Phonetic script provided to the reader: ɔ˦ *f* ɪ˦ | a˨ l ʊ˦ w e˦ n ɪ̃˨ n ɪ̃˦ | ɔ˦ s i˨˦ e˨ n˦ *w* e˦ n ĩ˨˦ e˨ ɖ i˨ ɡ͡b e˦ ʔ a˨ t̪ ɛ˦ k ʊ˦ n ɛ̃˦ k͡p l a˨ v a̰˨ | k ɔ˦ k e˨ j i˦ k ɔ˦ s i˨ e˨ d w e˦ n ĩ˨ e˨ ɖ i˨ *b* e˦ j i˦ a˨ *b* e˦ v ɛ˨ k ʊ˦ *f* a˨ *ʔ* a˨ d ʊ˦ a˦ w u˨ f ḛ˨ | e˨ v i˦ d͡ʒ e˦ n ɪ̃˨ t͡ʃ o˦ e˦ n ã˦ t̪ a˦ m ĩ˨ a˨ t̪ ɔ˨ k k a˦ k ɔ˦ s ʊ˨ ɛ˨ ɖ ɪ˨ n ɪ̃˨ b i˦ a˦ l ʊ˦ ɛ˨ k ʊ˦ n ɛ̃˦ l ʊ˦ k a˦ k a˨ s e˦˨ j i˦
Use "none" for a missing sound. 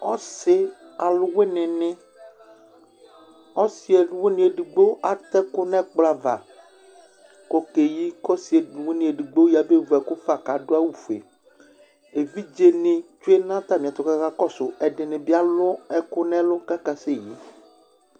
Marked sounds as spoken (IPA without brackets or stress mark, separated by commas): s, w, ɡ͡b, b, f, k